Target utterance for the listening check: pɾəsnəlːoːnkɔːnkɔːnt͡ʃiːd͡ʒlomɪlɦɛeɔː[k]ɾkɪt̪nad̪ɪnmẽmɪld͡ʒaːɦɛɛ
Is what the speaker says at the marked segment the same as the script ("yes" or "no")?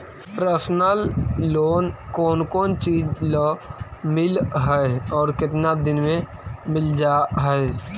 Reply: no